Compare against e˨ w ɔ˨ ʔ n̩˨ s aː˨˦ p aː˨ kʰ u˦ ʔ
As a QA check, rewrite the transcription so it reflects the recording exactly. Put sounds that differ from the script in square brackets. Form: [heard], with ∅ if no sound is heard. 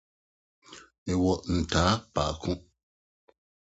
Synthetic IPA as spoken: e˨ w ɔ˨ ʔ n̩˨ [t] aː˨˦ p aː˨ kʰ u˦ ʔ